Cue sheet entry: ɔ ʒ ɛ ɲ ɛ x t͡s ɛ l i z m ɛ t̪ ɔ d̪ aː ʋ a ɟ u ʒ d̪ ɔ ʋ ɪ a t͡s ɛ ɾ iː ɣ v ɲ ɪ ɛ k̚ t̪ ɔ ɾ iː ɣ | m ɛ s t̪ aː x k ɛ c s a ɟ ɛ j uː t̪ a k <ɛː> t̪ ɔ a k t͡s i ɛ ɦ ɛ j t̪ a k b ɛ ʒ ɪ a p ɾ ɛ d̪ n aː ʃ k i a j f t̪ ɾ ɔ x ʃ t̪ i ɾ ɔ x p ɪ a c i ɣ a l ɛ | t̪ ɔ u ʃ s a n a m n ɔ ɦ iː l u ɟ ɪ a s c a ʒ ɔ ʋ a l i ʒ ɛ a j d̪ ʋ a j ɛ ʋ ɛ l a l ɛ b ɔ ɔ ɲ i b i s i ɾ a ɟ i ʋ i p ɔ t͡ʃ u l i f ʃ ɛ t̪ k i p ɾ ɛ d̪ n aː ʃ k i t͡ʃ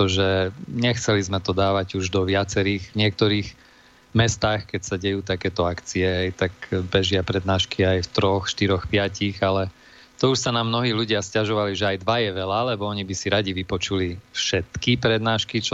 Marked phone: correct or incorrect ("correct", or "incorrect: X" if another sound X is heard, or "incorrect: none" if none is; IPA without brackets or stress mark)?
correct